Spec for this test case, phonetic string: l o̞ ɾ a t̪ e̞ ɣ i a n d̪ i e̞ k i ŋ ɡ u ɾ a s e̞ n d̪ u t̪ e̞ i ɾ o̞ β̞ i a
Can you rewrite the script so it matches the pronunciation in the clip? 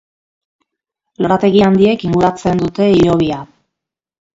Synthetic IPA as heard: l o̞ ɾ a t̪ e̞ ɣ i a n d̪ i e̞ k i ŋ ɡ u ɾ a t͡s e̞ n d̪ u t̪ e̞ i ɾ o̞ β̞ i a